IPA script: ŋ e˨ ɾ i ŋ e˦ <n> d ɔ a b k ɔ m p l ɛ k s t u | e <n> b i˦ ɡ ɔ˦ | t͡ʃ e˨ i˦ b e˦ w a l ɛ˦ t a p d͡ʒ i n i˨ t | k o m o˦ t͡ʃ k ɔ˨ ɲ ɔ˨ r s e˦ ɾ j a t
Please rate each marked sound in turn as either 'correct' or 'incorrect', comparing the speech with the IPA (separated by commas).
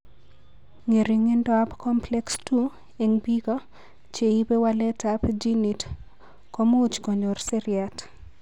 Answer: correct, incorrect